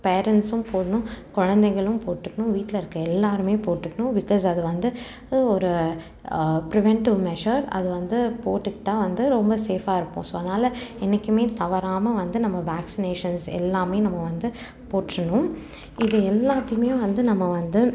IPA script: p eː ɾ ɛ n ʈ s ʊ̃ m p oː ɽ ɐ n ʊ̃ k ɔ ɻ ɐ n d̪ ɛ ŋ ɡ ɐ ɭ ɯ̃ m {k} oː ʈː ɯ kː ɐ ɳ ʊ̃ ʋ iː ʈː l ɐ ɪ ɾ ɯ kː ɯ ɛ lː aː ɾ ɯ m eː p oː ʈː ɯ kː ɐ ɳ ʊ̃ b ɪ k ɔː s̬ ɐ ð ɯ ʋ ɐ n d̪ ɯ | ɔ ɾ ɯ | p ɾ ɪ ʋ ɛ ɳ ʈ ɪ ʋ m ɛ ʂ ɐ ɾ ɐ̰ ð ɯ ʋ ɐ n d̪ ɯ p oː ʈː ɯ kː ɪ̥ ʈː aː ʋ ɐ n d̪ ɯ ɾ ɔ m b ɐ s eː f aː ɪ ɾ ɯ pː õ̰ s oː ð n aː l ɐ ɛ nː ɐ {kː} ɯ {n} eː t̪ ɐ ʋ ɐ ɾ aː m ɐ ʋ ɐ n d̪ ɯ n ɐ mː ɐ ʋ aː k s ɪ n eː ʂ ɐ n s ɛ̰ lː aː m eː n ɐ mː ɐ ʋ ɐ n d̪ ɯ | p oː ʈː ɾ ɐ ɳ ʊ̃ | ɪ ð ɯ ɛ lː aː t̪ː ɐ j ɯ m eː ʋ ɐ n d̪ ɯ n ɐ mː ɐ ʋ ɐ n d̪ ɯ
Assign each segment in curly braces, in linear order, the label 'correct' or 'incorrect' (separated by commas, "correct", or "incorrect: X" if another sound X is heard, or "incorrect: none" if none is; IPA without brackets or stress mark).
incorrect: p, correct, incorrect: m